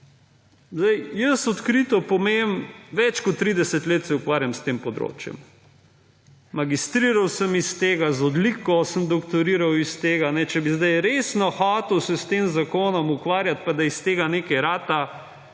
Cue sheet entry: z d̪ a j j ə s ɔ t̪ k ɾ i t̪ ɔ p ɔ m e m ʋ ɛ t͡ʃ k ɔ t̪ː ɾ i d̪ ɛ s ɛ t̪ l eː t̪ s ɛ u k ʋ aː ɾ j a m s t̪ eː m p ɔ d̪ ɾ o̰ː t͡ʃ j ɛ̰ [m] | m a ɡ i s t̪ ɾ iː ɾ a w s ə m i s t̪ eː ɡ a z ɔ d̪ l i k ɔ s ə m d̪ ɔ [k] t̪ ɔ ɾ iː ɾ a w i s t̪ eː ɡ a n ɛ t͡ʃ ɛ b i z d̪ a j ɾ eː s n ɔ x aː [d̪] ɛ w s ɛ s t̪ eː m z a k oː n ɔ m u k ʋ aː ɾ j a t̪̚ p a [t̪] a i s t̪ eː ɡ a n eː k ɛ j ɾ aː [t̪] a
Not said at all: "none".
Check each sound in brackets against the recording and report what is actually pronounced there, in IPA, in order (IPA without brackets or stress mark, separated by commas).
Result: m, k, t̪, d̪, t̪